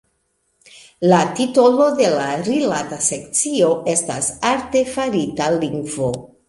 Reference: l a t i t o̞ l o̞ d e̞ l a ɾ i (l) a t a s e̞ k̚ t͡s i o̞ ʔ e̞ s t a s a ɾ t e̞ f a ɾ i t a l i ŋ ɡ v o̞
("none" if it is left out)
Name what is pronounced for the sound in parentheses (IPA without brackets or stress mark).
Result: l